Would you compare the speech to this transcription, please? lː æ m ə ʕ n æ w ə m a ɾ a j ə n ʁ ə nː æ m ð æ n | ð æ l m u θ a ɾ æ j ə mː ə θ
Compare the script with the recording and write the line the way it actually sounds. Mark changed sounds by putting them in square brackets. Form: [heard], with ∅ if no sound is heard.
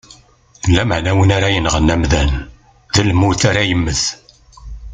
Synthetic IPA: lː æ m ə ʕ n æ w ə [n] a ɾ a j ə n ʁ ə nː æ m ð æ n | ð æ l m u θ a ɾ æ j ə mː ə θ

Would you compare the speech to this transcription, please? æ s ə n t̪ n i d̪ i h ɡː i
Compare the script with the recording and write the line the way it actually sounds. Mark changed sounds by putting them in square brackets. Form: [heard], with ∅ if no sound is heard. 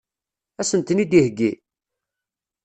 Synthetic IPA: æ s ə n t̪ n i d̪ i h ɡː i

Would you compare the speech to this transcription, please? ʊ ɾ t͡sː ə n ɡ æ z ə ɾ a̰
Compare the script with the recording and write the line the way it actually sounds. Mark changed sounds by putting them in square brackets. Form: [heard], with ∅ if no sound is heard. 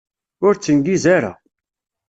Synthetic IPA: ʊ ɾ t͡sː ə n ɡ [i] z [a] ɾ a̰

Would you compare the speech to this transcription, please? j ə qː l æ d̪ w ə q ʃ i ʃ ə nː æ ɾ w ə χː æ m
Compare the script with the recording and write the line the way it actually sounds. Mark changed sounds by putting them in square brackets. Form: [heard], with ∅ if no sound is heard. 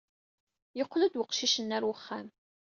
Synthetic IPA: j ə qː l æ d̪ w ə q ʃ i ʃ ə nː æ ɾ w ə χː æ m

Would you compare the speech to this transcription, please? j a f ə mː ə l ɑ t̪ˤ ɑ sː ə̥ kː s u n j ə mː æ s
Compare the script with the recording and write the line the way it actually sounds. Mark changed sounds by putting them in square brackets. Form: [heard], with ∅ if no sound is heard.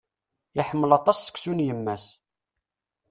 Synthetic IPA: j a [ħ] ə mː ə l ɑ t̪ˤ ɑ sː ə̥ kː s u n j ə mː æ s

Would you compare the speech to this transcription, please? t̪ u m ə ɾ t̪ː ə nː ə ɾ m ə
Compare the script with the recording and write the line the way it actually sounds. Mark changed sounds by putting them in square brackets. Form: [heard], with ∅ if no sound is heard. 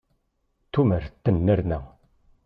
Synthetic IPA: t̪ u m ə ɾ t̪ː ə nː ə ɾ [n] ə

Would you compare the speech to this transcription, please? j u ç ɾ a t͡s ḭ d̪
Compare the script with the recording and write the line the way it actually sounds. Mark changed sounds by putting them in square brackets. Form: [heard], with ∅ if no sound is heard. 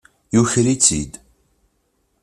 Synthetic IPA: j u ç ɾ [i] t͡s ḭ d̪

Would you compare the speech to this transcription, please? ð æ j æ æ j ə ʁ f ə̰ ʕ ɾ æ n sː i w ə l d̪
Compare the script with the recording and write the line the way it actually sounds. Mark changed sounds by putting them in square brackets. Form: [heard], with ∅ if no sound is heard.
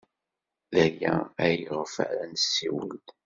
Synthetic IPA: ð æ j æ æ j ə ʁ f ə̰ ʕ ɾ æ n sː i w ə l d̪

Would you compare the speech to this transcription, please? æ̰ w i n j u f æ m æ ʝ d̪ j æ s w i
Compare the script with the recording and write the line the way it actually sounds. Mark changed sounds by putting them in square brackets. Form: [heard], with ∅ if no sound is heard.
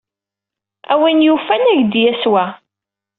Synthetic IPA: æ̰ w i n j u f æ [n] æ ʝ d̪ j æ s w [æ]

